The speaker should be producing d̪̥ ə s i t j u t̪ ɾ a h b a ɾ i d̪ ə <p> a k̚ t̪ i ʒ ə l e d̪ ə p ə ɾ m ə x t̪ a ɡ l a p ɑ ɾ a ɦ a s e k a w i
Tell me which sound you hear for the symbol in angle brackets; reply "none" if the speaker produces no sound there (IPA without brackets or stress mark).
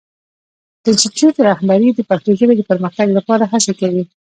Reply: p